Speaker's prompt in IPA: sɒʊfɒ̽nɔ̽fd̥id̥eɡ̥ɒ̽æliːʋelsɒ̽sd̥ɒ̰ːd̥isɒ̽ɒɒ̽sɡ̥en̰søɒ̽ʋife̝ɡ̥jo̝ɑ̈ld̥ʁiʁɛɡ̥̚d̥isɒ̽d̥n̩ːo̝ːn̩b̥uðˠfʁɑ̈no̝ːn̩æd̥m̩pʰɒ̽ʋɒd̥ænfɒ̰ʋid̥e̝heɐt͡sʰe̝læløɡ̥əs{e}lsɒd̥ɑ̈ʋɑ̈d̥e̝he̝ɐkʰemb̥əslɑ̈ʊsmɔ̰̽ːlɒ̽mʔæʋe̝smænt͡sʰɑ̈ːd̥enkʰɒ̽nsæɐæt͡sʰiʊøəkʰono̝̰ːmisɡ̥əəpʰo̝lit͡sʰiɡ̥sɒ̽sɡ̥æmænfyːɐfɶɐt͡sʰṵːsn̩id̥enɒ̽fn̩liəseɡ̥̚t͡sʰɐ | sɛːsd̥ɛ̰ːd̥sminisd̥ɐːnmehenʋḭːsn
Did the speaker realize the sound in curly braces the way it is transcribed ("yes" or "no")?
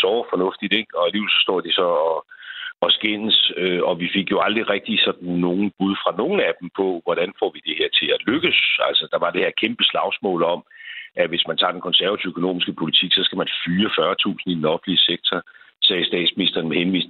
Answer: no